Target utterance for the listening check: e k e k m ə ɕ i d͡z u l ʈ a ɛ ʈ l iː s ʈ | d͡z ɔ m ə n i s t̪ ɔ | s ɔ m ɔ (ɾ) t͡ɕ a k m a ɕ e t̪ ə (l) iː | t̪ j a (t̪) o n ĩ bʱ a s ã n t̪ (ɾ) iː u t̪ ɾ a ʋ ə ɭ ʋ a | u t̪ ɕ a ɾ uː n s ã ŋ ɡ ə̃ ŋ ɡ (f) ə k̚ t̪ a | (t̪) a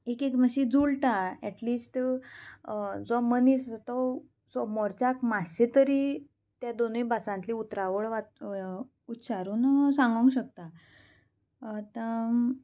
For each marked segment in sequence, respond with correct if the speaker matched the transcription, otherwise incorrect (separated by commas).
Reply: correct, incorrect, incorrect, incorrect, incorrect, correct